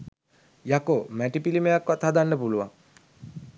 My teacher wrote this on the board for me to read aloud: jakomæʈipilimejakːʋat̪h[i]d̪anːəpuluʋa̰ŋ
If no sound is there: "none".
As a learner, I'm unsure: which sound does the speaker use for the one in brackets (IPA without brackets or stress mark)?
a